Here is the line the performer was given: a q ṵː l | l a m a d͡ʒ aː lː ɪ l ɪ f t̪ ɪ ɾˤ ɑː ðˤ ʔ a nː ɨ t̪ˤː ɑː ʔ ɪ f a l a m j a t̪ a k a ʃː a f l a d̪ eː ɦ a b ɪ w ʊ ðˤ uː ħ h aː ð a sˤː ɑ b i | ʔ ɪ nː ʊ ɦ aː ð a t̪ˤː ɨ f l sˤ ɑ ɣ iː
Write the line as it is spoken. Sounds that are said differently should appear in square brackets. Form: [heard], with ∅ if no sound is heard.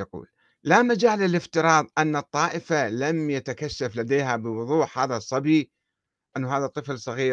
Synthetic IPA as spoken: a q ṵː l | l a m a d͡ʒ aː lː ɪ l ɪ f t̪ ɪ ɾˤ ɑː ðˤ ʔ a nː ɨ t̪ˤː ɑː ʔ ɪ f a l a m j a t̪ a k a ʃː a f l a d̪ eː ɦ a b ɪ w ʊ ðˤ uː ħ h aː ð a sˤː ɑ b i | ʔ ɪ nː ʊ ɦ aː ð a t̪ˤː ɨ f l sˤ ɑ ɣ iː